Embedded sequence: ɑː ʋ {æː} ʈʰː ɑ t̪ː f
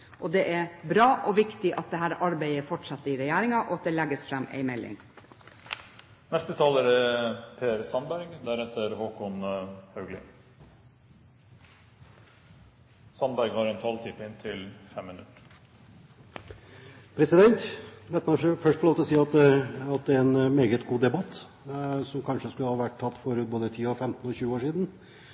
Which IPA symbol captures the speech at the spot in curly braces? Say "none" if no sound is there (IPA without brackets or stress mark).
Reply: æ